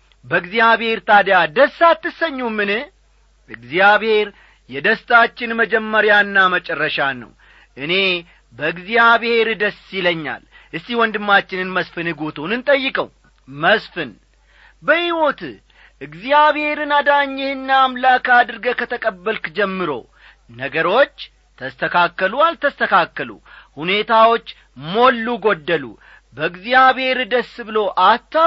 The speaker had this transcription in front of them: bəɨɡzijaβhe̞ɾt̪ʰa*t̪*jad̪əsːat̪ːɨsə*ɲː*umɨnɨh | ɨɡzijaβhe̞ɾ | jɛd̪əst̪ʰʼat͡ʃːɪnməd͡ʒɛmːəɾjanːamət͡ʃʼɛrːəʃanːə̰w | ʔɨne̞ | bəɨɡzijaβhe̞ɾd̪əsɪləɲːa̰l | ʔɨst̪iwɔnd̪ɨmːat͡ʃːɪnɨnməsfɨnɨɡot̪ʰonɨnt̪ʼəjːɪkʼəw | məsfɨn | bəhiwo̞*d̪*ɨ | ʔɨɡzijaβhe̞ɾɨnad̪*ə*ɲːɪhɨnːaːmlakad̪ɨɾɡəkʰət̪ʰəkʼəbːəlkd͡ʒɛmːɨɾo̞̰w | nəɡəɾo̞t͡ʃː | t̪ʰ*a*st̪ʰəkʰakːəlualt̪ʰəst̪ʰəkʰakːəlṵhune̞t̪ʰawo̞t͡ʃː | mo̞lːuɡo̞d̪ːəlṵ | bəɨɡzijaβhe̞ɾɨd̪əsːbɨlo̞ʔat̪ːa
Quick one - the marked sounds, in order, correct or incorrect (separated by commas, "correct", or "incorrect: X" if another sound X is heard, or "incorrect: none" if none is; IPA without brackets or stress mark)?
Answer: incorrect: d̪, correct, incorrect: t̪, incorrect: a, incorrect: ə